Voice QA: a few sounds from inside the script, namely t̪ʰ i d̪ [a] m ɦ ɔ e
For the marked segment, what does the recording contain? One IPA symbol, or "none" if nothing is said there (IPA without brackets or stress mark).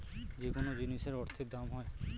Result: a